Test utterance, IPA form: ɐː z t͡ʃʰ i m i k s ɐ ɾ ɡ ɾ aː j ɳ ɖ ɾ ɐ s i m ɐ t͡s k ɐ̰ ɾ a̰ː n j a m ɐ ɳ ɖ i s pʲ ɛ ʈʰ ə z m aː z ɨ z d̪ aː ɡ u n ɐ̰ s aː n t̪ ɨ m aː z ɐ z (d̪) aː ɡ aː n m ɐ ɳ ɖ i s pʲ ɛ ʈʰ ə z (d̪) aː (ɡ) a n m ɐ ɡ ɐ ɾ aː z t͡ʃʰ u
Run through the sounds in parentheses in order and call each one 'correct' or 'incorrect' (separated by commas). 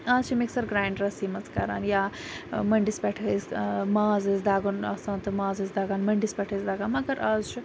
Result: correct, correct, correct